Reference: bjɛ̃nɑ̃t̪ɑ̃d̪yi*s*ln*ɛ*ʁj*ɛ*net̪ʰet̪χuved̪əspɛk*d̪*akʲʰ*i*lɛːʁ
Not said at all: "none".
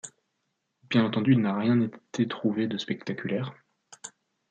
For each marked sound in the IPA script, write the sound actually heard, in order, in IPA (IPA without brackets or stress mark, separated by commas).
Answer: none, a, ɛ̃, t̪, y